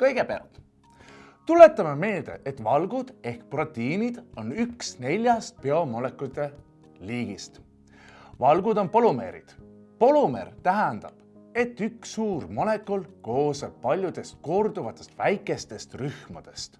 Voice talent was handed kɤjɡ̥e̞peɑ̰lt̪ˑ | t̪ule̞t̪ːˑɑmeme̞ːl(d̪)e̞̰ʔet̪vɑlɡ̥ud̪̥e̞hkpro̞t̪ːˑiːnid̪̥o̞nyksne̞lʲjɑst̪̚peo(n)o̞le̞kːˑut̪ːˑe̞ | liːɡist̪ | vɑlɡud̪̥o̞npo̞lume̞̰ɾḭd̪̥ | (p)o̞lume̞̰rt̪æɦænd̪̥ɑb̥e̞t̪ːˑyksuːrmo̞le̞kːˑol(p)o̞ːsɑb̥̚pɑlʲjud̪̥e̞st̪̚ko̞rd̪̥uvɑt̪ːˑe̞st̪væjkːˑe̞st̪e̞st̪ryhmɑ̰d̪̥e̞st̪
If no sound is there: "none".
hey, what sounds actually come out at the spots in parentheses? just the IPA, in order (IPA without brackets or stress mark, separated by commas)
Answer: d̪, m, p, k